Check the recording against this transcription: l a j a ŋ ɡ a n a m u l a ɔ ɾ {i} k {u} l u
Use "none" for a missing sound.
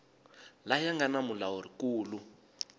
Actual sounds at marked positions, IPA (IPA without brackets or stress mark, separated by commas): i, uː